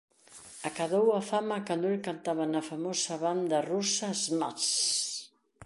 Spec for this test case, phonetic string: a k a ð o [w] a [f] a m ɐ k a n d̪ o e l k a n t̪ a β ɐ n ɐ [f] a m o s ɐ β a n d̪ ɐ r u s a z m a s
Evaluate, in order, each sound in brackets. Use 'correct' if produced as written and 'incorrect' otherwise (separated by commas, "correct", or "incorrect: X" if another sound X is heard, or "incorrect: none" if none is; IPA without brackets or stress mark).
correct, correct, correct